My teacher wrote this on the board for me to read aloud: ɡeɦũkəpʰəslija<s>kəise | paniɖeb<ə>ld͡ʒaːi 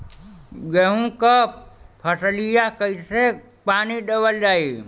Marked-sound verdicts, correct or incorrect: incorrect, correct

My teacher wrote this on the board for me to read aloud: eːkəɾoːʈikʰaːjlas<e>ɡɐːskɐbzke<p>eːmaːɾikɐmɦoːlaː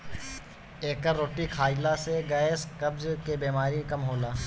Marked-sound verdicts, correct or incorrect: correct, incorrect

